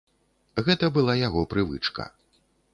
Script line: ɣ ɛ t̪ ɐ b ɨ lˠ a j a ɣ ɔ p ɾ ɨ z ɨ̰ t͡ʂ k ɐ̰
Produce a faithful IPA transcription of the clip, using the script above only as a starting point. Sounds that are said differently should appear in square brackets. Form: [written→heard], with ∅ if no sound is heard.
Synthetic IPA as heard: ɣ ɛ t̪ ɐ b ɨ lˠ a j a ɣ ɔ p ɾ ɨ [z→v] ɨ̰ t͡ʂ k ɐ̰